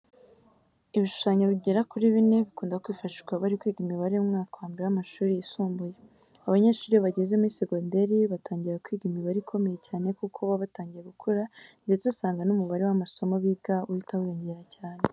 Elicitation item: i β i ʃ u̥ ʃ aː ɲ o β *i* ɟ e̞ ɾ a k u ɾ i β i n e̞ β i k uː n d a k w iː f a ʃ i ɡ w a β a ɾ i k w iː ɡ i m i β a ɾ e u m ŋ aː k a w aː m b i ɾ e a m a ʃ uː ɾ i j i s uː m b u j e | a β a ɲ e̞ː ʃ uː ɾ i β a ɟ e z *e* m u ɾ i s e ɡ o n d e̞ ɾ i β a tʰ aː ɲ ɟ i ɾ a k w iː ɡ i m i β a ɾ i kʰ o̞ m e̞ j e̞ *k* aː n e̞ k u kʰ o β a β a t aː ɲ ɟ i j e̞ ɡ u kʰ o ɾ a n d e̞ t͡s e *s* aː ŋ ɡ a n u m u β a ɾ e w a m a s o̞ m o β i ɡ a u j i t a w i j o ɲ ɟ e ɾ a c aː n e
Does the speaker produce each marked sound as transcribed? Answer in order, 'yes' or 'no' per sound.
yes, yes, no, yes

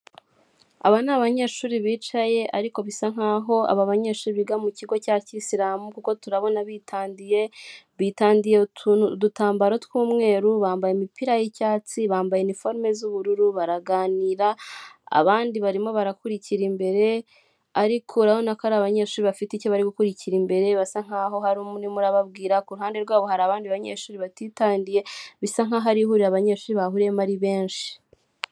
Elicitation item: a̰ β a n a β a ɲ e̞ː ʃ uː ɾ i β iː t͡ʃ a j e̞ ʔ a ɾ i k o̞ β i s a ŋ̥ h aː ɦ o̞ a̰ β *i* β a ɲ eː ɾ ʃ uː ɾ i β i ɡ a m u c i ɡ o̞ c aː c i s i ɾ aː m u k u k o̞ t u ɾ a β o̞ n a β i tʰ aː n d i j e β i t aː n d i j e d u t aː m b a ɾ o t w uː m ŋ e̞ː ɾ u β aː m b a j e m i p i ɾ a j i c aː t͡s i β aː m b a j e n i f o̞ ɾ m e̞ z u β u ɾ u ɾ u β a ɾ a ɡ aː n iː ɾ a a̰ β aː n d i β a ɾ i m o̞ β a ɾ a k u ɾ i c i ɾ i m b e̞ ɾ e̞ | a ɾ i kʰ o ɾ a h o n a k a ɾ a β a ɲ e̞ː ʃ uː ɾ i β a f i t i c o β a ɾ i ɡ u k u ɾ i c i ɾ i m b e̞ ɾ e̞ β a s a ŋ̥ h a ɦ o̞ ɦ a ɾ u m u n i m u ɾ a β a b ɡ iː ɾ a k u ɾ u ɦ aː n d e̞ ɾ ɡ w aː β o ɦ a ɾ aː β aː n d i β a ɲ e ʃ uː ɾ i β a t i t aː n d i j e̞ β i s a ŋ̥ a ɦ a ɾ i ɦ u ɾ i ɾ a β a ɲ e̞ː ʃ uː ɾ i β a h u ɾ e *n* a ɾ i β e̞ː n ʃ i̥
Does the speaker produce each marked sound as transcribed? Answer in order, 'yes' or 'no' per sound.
no, no

